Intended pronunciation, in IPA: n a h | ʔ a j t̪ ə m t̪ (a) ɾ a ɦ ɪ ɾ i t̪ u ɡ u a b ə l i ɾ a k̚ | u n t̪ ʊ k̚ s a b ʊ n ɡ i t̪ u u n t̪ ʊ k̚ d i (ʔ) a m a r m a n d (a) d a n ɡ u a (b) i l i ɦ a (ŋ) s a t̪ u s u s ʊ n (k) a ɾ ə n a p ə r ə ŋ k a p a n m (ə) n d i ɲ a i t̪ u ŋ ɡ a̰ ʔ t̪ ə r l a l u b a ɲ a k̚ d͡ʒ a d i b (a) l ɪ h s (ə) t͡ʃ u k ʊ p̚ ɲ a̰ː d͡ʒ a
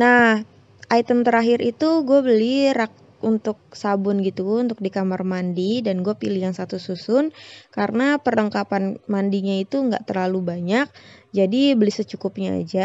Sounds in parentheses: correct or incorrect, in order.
incorrect: ə, incorrect: k, incorrect: i, incorrect: p, correct, correct, incorrect: a, incorrect: ə, correct

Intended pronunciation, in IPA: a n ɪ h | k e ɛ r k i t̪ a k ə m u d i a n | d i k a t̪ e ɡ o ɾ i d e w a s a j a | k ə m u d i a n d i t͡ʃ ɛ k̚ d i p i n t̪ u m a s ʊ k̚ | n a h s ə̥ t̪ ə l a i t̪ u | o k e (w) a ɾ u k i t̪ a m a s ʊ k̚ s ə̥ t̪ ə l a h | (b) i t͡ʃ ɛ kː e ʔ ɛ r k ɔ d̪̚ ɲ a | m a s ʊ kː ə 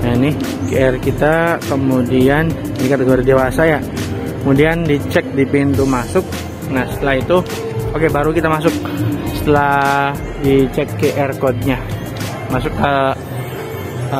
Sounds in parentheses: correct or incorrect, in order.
incorrect: b, incorrect: d

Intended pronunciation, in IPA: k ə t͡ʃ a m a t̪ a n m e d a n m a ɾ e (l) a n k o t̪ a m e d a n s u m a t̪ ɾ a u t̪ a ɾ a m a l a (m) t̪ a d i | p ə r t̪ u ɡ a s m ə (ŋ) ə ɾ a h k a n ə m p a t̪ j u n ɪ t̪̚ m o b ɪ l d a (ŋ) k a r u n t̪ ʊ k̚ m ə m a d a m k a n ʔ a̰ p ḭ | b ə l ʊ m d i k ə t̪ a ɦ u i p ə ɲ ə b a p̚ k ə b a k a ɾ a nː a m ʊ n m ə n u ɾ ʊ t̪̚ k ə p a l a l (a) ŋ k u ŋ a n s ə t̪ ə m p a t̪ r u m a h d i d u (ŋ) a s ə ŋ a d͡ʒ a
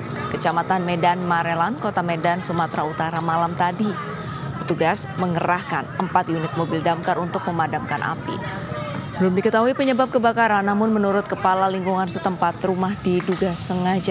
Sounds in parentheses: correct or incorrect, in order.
correct, correct, correct, incorrect: m, incorrect: i, incorrect: ɡ

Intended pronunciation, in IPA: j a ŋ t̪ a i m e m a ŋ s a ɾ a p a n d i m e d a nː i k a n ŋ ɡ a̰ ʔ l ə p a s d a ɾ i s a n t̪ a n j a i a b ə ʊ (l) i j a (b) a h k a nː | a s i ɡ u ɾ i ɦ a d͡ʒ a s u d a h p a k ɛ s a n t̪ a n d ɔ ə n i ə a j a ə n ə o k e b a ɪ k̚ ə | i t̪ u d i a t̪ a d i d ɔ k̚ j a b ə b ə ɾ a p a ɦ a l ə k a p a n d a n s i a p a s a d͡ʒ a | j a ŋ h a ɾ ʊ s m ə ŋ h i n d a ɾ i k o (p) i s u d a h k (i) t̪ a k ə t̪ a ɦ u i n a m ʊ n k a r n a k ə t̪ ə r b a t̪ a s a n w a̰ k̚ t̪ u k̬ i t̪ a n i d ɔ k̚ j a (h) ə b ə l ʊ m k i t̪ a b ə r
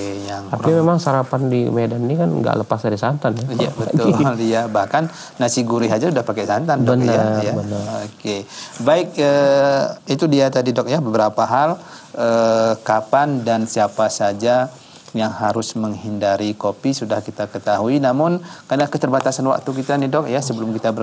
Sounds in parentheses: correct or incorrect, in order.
correct, correct, correct, correct, incorrect: s

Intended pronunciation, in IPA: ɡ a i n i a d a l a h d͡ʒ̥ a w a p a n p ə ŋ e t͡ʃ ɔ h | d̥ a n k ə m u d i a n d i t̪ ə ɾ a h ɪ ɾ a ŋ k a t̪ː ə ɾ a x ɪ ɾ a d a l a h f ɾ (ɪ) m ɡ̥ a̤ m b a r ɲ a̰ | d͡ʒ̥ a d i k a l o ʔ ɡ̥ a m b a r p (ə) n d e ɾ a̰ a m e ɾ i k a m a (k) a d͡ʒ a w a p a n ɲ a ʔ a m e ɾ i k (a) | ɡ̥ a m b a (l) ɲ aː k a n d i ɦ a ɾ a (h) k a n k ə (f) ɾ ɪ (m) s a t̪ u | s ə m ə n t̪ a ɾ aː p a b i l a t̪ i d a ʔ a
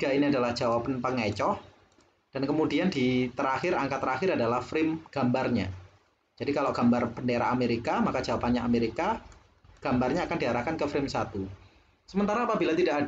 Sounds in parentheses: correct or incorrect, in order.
correct, correct, correct, correct, incorrect: r, correct, correct, correct

